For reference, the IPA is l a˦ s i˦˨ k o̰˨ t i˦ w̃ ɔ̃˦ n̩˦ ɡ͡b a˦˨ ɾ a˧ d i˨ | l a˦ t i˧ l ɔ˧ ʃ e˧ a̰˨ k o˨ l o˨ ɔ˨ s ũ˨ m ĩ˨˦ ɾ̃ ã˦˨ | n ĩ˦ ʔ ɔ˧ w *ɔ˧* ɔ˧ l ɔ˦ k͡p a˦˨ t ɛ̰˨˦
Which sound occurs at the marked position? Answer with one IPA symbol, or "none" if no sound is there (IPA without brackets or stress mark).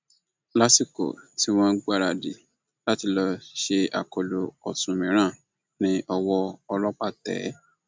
ɔ˧